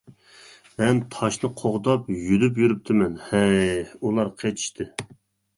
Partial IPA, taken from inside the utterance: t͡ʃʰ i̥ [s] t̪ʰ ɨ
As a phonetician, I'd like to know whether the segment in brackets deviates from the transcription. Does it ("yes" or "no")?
yes